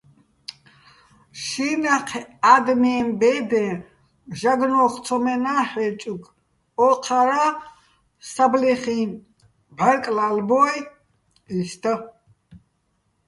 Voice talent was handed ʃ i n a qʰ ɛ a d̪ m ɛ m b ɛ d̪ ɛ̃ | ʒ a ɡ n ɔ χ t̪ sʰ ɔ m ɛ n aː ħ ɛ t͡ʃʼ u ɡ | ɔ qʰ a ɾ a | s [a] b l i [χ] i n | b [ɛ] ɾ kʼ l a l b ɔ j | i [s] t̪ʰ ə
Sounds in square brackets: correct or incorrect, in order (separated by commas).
correct, correct, incorrect, correct